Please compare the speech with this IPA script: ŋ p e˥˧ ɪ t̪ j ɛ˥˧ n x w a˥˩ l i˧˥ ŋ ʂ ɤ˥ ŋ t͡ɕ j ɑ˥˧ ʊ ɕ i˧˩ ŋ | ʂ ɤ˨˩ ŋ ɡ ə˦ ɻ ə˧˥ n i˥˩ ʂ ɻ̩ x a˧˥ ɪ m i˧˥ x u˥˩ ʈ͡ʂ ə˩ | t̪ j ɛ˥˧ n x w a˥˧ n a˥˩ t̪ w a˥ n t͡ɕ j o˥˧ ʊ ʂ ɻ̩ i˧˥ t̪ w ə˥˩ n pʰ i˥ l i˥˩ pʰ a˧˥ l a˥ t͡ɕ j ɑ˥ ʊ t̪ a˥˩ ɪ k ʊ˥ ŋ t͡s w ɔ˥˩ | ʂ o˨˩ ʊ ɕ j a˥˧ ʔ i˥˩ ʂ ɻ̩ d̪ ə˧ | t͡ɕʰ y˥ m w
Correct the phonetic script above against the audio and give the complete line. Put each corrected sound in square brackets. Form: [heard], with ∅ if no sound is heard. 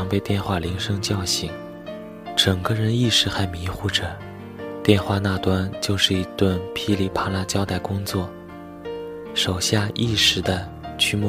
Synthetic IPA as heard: ŋ p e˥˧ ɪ t̪ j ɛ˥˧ n x w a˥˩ l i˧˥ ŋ ʂ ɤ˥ ŋ t͡ɕ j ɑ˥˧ ʊ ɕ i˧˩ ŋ | [ʈ͡ʂ] ɤ˨˩ ŋ ɡ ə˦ ɻ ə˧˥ n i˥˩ ʂ ɻ̩ x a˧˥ ɪ m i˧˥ x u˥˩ ʈ͡ʂ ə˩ | t̪ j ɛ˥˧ n x w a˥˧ n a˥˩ t̪ w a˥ n t͡ɕ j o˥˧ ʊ ʂ ɻ̩ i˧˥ t̪ w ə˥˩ n pʰ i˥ l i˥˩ pʰ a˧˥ l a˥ t͡ɕ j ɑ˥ ʊ t̪ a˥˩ ɪ k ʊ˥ ŋ t͡s w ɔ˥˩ | ʂ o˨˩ ʊ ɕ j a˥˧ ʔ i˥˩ ʂ ɻ̩ d̪ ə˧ | t͡ɕʰ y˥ m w